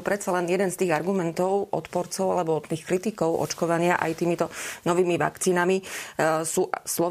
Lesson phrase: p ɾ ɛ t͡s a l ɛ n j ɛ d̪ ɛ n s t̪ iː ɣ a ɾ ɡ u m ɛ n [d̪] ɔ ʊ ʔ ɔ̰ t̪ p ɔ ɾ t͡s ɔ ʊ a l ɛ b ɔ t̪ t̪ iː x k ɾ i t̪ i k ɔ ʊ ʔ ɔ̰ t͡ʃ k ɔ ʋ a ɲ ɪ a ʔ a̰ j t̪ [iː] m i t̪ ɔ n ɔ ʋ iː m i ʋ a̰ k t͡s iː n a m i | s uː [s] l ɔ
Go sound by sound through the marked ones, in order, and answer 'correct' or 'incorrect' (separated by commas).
incorrect, correct, correct